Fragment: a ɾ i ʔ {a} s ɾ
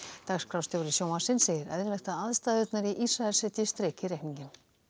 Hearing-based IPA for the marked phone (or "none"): i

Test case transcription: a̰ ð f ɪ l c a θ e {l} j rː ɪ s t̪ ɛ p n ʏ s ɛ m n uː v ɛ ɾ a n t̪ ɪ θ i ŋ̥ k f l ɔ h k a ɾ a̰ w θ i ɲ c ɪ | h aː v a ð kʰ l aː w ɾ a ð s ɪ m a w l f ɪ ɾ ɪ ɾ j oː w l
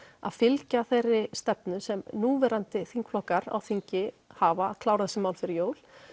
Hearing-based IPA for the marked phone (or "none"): none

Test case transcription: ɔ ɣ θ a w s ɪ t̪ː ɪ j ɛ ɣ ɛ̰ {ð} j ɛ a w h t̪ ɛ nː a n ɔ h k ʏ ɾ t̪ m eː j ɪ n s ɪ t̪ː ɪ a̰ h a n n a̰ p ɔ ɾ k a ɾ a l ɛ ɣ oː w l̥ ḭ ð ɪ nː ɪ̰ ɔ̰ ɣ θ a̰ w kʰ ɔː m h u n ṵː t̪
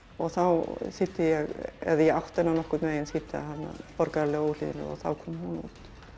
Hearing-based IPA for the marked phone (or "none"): ð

